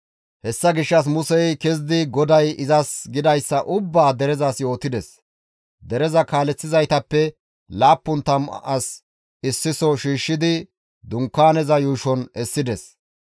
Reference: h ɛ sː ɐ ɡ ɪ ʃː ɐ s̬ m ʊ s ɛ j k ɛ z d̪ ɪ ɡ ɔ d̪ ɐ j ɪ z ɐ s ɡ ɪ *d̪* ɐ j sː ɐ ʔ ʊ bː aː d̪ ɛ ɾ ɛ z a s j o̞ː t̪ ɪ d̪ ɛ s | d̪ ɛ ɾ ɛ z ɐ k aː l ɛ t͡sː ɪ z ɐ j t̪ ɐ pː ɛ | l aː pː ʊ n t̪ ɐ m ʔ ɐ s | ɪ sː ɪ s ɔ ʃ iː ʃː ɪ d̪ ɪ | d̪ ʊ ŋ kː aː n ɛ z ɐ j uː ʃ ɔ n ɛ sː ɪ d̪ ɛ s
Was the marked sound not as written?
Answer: no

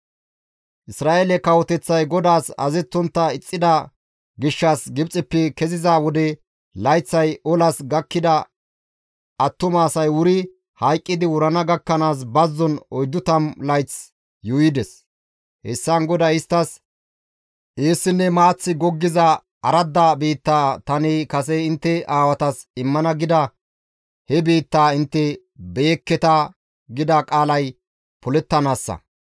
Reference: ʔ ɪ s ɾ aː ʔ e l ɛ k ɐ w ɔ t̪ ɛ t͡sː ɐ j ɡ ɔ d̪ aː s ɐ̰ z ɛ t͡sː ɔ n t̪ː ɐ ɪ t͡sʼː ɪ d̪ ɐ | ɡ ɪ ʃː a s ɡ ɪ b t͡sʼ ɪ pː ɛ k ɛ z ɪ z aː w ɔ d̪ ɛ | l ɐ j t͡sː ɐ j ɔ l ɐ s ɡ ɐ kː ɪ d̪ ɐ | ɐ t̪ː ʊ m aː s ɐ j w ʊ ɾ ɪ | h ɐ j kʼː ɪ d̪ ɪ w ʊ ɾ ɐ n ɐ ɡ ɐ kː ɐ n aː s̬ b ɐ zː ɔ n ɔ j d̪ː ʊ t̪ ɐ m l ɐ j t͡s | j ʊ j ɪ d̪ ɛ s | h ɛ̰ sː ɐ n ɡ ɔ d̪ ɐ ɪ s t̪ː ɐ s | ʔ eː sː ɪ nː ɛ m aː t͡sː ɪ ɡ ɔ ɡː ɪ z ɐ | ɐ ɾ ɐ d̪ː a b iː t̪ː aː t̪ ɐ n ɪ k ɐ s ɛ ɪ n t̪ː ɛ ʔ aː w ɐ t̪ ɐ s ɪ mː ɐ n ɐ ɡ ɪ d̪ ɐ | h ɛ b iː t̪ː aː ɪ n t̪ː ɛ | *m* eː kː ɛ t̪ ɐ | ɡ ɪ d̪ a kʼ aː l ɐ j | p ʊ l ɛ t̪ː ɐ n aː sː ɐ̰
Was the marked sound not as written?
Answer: yes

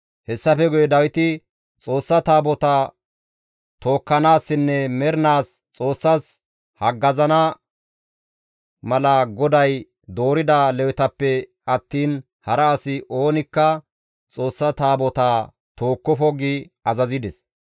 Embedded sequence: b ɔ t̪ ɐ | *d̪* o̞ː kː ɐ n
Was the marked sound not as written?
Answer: yes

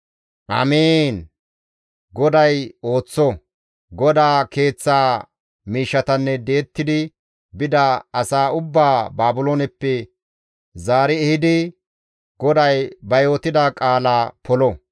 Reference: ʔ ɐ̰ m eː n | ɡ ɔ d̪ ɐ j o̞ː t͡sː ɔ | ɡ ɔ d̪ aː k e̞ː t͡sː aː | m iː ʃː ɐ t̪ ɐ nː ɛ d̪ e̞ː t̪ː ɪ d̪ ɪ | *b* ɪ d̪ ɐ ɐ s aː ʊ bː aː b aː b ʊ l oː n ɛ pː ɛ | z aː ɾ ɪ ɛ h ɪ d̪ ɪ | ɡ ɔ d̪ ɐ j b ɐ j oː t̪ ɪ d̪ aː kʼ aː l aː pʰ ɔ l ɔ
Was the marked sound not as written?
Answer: no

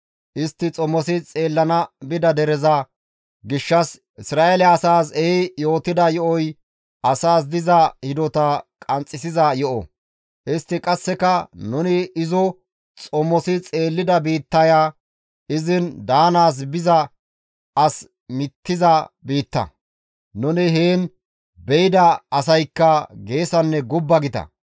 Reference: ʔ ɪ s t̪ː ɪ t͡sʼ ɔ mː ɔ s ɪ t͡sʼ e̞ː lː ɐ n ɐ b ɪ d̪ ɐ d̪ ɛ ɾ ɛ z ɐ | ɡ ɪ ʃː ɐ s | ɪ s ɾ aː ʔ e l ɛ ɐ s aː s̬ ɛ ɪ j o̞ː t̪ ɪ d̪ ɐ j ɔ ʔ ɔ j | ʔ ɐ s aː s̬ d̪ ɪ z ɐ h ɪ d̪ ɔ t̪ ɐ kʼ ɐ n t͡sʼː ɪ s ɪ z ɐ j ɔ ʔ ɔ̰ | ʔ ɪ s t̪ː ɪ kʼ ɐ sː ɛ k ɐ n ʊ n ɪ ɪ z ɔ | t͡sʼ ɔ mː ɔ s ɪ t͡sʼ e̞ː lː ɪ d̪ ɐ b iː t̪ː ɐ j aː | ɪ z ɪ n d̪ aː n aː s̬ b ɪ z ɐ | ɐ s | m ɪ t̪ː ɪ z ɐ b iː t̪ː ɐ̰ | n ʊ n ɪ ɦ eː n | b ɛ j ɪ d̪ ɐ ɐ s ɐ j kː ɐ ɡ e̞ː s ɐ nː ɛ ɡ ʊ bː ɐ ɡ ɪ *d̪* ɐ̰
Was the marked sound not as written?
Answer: yes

